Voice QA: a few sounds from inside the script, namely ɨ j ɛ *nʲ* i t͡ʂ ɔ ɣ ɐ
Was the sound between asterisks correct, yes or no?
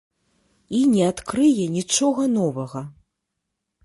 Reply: yes